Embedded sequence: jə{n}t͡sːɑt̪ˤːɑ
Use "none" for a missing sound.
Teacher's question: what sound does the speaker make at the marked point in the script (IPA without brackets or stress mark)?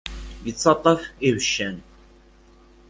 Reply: none